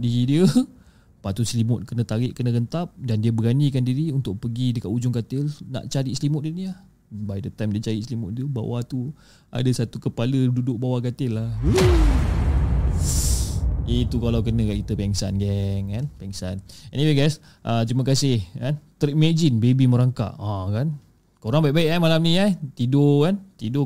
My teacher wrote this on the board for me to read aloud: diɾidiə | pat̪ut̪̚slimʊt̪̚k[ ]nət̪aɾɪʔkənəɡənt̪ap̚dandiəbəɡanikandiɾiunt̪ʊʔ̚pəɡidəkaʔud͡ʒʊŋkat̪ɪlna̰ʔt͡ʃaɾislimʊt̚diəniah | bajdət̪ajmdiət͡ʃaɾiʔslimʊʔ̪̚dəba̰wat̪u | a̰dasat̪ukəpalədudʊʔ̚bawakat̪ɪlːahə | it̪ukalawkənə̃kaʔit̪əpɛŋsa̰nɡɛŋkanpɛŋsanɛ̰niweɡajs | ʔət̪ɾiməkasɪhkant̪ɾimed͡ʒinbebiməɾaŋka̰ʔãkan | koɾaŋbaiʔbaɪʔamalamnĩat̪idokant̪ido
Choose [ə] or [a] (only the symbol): ə